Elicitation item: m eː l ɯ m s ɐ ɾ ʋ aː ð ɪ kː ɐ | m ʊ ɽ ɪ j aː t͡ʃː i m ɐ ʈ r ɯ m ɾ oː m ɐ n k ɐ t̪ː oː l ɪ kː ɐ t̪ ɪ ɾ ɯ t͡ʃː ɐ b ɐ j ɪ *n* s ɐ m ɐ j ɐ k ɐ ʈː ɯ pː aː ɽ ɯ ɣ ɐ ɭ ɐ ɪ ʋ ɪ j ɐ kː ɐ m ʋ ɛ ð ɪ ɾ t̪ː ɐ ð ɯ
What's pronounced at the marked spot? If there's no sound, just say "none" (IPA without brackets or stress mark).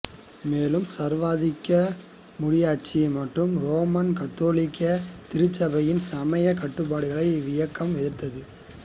n